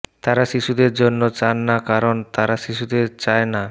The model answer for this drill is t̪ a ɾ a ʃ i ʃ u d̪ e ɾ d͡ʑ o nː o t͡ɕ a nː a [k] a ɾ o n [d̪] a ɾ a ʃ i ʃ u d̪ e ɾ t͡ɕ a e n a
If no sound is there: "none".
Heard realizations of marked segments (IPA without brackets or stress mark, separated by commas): k, t̪